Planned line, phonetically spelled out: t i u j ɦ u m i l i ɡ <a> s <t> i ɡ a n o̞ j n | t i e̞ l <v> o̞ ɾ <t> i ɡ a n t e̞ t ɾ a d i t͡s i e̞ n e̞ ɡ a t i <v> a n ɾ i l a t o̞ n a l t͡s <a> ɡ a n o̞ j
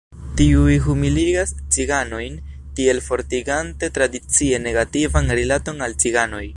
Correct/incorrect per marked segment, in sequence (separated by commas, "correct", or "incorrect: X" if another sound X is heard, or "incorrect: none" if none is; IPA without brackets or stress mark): correct, incorrect: t͡s, incorrect: f, correct, correct, incorrect: i